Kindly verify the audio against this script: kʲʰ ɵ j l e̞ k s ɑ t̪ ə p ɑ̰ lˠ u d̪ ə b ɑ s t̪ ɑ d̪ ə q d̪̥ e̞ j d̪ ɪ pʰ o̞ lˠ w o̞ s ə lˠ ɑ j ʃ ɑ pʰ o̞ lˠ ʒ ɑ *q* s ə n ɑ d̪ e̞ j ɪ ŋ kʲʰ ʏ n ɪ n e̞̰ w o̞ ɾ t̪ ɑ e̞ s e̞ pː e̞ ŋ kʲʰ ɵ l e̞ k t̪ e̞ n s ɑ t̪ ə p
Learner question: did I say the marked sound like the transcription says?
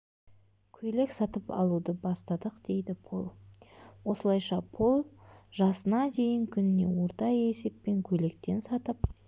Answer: no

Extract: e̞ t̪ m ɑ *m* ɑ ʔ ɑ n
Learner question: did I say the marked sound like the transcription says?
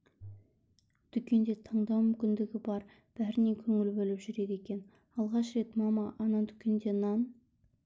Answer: yes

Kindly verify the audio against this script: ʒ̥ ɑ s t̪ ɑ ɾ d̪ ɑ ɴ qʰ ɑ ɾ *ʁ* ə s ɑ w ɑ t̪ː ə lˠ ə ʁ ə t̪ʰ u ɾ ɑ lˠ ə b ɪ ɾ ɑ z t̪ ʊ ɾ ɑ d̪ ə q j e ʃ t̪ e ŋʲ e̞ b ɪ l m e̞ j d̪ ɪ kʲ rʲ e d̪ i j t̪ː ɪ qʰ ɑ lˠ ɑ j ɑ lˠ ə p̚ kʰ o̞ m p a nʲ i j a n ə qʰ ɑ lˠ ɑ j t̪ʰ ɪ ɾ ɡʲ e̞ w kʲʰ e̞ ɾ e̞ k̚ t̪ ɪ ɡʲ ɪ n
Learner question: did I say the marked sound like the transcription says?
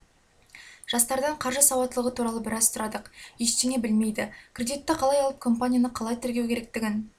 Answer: no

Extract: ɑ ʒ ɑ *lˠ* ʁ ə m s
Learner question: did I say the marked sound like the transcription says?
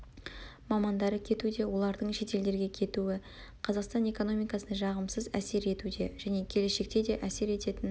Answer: no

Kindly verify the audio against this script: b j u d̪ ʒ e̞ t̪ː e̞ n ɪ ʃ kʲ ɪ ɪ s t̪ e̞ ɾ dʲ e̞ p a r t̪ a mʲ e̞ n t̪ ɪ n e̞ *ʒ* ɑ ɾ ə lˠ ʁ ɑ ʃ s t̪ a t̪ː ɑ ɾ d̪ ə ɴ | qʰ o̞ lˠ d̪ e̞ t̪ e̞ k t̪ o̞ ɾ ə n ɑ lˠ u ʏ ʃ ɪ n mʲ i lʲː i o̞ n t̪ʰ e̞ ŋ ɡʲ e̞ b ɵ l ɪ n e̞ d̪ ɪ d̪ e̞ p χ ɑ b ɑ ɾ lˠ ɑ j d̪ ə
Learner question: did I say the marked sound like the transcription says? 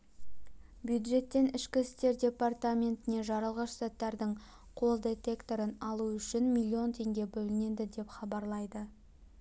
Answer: yes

